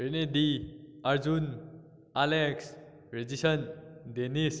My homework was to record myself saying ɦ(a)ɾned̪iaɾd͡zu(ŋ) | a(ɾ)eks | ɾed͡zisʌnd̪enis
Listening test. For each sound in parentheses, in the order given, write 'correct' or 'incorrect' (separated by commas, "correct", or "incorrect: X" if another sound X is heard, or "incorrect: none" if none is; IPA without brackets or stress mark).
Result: incorrect: e, incorrect: n, incorrect: l